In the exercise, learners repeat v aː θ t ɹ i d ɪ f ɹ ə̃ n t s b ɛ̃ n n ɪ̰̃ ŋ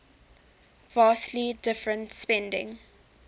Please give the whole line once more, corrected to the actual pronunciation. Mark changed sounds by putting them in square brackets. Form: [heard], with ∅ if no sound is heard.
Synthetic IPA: v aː [s] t [l] i d ɪ f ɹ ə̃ n t s [p] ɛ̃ n [d] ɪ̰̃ ŋ